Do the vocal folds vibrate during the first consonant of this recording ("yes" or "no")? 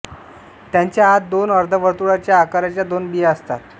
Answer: no